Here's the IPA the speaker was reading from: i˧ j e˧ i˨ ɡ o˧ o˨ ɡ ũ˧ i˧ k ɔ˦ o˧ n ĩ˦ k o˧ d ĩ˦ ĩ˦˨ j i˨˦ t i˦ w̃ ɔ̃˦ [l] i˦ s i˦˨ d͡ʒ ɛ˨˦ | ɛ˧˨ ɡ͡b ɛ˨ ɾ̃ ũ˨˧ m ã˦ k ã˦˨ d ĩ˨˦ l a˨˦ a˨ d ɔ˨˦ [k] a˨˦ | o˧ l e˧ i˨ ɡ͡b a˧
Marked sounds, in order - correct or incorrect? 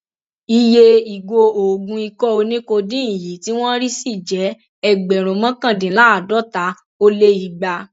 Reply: incorrect: ɾ, incorrect: t

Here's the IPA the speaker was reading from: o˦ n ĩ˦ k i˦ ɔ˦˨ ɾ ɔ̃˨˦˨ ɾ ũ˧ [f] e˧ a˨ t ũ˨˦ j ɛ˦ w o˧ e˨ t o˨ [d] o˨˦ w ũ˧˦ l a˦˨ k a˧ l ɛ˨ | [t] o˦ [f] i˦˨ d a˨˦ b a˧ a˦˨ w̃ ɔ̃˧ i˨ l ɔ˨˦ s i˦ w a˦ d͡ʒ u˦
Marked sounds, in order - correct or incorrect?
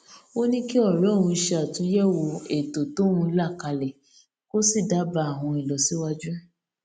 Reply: incorrect: ʃ, incorrect: t, incorrect: k, incorrect: s

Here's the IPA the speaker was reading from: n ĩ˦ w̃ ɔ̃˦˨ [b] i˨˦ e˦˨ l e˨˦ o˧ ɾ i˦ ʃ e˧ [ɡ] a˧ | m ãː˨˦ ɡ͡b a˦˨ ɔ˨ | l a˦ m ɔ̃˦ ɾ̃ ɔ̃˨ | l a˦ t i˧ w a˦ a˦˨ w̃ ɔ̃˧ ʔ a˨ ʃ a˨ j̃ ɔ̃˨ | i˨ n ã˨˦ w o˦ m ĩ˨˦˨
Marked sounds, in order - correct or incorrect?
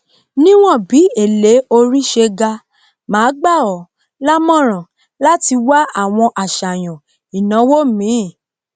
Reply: correct, correct

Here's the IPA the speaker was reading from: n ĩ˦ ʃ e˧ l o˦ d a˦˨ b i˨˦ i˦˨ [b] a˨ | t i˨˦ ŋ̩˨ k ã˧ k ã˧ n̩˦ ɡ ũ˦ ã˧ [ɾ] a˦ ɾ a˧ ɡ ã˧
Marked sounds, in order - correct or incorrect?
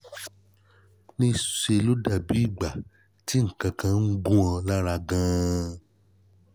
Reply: incorrect: ɡ͡b, incorrect: l

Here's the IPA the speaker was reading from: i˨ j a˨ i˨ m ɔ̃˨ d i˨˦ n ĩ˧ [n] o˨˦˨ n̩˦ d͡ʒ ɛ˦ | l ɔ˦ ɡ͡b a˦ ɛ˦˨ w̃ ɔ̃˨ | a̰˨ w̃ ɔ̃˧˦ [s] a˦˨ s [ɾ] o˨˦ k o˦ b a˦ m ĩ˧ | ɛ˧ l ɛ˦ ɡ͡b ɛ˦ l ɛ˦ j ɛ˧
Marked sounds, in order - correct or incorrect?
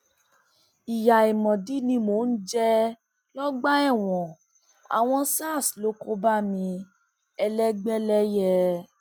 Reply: incorrect: m, correct, incorrect: l

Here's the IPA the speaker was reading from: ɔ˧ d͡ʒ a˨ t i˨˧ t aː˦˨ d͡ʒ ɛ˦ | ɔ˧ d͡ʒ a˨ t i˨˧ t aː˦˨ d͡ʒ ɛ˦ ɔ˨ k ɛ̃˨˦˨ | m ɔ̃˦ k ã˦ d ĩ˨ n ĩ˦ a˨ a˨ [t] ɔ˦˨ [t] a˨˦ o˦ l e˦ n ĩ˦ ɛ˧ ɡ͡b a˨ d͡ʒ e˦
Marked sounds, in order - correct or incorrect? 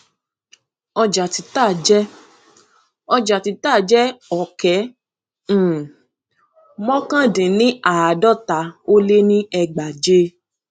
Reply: incorrect: d, correct

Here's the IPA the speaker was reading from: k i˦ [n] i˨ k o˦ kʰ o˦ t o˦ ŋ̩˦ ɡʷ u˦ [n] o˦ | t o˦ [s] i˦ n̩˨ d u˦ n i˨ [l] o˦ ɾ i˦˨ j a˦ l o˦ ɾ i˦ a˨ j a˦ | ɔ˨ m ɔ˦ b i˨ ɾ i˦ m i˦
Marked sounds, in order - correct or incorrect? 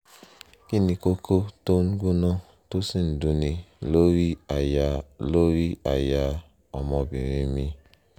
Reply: correct, correct, correct, correct

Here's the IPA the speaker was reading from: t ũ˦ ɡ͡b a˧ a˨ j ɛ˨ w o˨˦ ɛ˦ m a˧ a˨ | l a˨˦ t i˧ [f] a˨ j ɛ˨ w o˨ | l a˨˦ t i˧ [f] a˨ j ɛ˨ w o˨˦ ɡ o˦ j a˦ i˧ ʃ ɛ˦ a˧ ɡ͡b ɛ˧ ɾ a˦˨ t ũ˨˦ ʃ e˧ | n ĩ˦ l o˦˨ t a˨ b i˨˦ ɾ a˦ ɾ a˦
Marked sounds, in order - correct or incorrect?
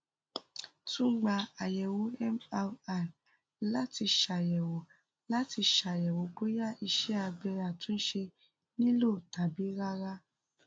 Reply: incorrect: ʃ, incorrect: ʃ

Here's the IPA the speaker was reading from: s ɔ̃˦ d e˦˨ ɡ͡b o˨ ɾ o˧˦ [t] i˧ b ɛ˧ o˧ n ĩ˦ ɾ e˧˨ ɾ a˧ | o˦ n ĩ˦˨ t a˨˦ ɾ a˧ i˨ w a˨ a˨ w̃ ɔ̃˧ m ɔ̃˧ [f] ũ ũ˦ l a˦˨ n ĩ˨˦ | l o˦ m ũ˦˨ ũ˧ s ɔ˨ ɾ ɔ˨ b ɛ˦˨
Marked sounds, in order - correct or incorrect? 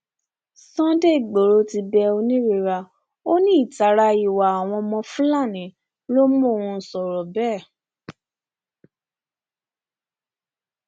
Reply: correct, correct

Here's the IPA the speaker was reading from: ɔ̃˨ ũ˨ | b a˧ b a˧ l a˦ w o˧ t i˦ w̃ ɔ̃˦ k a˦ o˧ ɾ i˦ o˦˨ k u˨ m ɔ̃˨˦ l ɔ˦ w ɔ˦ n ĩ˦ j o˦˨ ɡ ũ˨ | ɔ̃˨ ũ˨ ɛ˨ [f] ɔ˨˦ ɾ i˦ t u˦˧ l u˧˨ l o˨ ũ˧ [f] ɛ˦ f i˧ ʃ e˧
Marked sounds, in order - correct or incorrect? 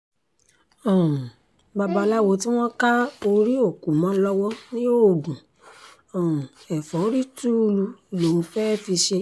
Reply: correct, correct

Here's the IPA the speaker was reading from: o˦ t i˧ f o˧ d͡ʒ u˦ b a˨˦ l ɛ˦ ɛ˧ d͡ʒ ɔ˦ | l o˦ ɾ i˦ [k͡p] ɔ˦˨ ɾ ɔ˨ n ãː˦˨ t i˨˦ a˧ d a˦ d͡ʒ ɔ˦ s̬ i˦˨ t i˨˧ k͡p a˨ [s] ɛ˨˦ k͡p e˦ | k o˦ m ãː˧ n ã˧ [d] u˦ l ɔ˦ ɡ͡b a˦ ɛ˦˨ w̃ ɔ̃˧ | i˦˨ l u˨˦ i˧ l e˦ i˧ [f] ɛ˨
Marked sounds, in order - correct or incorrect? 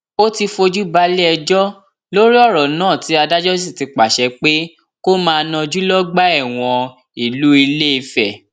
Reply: incorrect: none, incorrect: ʃ, incorrect: d͡ʒ, correct

